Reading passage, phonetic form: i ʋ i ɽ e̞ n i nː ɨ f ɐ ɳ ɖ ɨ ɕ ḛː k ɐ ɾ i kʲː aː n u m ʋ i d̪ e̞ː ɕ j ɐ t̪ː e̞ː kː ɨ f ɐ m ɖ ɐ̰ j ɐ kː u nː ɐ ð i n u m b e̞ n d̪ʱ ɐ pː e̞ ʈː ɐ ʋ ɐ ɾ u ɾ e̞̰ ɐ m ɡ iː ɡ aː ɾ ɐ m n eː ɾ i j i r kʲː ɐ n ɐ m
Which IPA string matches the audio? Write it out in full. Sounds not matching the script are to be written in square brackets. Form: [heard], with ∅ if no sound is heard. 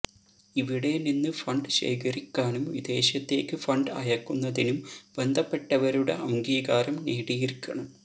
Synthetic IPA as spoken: i ʋ i ɽ e̞ n i nː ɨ f ɐ ɳ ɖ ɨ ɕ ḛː k ɐ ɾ i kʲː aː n u m ʋ i d̪ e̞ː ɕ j ɐ t̪ː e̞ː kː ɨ f ɐ [ɳ] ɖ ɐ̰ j ɐ kː u nː ɐ ð i n u m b e̞ n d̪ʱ ɐ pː e̞ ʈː ɐ ʋ ɐ ɾ u [ɽ] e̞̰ ɐ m ɡ iː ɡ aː ɾ ɐ m n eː [ɽ] i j i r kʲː ɐ [ɳ] ɐ m